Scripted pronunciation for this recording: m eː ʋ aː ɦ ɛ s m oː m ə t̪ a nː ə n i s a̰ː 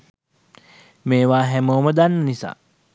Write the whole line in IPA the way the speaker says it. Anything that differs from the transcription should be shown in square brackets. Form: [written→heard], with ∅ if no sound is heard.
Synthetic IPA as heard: m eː ʋ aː ɦ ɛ [s→∅] m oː m ə [t̪→d̪] a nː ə n i s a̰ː